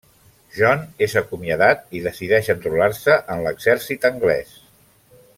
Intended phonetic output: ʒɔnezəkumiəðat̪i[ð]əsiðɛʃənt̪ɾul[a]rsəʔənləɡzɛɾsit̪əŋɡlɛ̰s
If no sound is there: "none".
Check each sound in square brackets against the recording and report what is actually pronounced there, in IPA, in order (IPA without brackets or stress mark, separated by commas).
ð, a